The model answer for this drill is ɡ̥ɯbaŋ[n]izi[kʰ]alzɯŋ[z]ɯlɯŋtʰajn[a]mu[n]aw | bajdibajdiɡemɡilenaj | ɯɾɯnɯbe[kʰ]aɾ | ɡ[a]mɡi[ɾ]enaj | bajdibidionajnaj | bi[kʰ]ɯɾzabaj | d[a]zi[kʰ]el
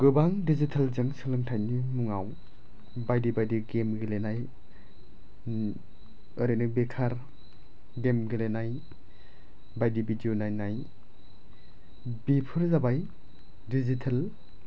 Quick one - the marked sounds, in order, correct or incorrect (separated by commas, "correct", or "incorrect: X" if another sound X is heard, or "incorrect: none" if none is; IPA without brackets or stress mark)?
incorrect: d, incorrect: tʰ, incorrect: s, incorrect: i, incorrect: ŋ, correct, incorrect: e, incorrect: l, incorrect: pʰ, incorrect: i, incorrect: tʰ